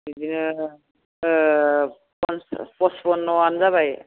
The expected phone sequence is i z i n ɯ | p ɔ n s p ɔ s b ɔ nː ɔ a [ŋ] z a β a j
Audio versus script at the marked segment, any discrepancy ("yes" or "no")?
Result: yes